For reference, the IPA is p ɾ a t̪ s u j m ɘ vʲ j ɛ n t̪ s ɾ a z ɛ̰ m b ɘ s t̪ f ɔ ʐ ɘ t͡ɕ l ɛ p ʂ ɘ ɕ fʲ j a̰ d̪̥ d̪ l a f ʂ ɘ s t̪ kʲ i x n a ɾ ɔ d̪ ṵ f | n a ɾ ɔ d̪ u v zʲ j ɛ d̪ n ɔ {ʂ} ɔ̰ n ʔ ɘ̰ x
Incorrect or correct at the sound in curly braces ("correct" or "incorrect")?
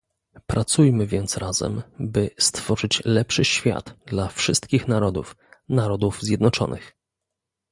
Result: incorrect